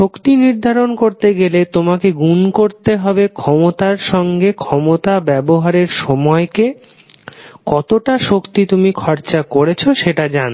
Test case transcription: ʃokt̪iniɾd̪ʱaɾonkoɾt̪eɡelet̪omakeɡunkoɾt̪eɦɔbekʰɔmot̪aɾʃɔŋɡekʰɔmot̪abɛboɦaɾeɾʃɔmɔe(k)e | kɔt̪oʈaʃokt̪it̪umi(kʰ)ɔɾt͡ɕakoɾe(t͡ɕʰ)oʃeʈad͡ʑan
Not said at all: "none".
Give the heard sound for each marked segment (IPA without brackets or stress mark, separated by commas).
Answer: k, kʰ, t͡ɕʰ